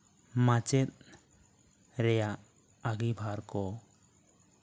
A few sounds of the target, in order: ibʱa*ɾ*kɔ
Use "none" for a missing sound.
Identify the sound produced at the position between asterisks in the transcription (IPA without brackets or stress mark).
ɾ